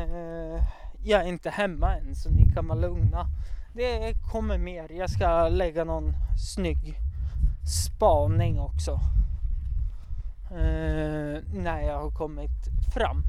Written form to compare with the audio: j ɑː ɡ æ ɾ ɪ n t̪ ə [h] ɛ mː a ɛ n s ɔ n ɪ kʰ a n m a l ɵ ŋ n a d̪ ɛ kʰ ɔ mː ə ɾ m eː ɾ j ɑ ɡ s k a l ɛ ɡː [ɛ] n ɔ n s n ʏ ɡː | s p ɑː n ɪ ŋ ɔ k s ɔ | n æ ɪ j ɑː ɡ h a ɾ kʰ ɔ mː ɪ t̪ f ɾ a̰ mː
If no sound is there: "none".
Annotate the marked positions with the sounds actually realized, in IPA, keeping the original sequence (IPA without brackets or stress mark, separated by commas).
h, a